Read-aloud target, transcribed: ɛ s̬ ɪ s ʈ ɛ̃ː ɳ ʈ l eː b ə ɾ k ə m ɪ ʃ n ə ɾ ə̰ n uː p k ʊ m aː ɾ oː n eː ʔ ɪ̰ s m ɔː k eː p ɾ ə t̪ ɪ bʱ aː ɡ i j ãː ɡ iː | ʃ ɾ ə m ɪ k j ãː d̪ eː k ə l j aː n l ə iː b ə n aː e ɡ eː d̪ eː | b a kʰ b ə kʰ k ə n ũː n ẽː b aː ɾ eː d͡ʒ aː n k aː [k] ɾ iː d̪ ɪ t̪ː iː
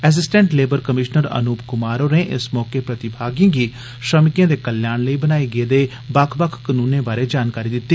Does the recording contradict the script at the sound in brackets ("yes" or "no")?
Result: yes